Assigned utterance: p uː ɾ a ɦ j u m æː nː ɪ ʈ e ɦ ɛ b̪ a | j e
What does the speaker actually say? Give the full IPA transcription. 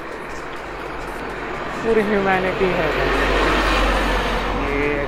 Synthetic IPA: p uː ɾ i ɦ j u m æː n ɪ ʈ i ɦ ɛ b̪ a | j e